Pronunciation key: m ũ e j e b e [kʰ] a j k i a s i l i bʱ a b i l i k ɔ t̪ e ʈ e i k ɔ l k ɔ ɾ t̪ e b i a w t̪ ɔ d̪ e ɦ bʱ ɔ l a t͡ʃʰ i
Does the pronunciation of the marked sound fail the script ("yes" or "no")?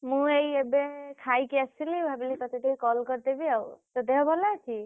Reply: no